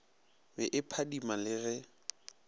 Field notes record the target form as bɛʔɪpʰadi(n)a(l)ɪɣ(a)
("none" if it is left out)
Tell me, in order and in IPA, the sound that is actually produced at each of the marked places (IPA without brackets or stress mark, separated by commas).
m, l, ɛ